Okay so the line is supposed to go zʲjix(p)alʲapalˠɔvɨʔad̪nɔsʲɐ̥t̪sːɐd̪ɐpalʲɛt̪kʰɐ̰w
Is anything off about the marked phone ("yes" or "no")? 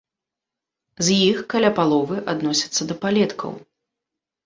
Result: yes